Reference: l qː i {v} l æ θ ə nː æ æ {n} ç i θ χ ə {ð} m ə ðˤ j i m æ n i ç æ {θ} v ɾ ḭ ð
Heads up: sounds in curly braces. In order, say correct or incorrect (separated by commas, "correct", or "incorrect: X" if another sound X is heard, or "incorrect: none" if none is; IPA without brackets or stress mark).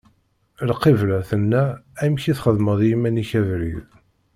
correct, incorrect: m, correct, incorrect: none